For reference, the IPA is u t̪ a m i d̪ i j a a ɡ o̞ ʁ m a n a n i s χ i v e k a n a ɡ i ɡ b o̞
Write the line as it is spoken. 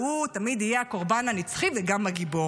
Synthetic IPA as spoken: u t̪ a m i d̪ i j e a k o̞ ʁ b a n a n i t͡s χ i v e ɡ a m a ɡ i b o̞